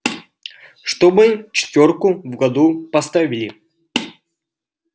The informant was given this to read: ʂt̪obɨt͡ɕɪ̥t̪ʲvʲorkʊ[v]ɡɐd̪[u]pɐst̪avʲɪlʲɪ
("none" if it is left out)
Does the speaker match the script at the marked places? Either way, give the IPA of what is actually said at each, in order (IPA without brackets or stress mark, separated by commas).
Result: v, u